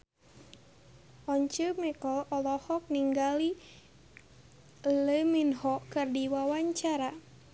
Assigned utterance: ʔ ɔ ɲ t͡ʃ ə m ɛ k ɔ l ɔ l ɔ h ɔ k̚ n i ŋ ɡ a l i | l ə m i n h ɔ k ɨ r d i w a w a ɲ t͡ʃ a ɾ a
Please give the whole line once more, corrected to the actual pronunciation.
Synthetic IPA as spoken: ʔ ɔ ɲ t͡ʃ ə m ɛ k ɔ l ɔ l ɔ h ɔ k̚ n i ŋ ɡ a l i | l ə m i n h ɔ k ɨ r d i w a w a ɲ t͡ʃ a ɾ a